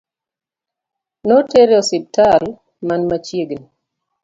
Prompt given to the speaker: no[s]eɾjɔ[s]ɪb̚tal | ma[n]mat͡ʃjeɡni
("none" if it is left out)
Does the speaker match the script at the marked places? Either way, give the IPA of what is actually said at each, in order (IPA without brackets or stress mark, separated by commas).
t, s, n